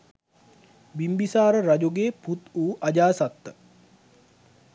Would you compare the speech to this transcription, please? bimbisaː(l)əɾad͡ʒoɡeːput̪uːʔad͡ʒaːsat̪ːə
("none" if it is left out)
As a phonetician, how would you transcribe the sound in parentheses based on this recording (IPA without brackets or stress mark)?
ɾ